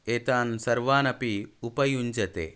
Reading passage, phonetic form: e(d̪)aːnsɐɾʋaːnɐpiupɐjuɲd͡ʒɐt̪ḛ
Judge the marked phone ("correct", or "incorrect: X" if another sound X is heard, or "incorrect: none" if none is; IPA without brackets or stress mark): incorrect: t̪